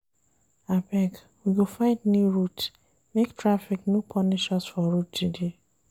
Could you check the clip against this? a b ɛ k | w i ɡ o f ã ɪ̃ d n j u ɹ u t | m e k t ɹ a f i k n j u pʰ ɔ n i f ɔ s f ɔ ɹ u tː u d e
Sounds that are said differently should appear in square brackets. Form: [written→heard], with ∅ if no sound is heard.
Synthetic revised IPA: a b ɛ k | w i ɡ o f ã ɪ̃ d n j u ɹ u t | m e k t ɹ a f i k n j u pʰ ɔ n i [f→ʃ] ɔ s f ɔ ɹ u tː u d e